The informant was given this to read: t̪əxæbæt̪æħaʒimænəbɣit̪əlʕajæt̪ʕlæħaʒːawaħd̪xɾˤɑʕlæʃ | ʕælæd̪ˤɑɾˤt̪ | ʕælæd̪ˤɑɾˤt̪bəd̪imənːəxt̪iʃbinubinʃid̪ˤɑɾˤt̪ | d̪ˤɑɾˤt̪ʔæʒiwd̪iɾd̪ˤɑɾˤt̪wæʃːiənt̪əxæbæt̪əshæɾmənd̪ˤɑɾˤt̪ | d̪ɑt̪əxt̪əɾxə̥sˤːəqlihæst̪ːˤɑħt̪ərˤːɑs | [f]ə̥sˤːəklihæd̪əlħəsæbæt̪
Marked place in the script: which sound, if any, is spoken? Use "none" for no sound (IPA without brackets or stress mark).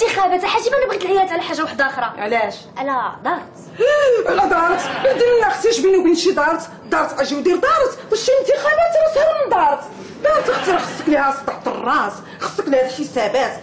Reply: x